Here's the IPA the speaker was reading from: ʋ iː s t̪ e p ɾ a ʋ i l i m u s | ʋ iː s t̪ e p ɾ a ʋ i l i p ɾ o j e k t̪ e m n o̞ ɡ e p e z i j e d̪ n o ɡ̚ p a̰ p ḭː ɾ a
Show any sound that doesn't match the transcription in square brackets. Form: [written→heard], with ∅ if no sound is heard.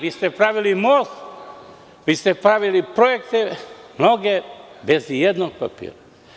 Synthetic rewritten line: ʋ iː s t̪ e p ɾ a ʋ i l i m [u→o] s | ʋ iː s t̪ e p ɾ a ʋ i l i p ɾ o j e k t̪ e m n o̞ ɡ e [p→b] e z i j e d̪ n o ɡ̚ p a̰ p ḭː ɾ a